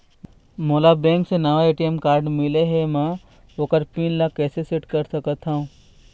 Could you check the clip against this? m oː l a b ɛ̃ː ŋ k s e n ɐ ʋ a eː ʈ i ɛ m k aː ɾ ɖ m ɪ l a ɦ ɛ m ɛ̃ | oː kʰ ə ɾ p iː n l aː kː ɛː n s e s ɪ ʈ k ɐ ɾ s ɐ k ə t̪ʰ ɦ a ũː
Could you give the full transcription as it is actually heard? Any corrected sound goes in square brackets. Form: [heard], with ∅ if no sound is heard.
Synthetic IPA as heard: m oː l a b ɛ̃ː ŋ k s e n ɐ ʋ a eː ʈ i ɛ m k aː ɾ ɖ m ɪ l [e] ɦ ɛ m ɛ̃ | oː [k] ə ɾ p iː n l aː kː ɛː [∅] s e s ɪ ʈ k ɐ ɾ s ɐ k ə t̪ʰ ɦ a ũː